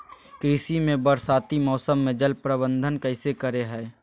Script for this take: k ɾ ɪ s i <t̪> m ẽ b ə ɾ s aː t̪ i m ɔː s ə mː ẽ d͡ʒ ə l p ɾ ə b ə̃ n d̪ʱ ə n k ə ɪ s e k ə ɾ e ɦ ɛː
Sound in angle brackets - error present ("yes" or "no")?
yes